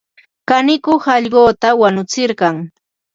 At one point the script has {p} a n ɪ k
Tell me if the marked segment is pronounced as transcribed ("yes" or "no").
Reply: no